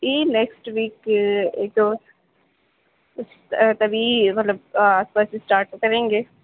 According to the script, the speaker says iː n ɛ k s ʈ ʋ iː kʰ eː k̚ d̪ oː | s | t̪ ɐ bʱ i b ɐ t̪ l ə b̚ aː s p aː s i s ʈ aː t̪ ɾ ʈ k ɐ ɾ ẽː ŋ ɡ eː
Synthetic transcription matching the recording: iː n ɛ k s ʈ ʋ iː k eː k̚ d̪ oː | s | t̪ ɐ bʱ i m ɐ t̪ l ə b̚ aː s p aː s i s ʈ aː ɾ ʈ k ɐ ɾ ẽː ŋ ɡ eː